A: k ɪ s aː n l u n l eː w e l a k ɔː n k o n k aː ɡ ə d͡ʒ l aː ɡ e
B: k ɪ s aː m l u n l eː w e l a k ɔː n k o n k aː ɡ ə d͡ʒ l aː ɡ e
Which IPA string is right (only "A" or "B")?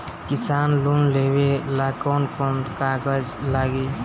A